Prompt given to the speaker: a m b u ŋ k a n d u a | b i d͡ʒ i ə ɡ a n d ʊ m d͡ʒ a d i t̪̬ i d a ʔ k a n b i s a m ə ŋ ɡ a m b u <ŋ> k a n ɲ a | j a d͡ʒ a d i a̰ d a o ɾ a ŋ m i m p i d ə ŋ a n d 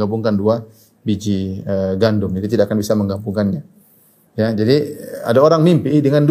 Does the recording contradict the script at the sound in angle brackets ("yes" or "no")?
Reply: no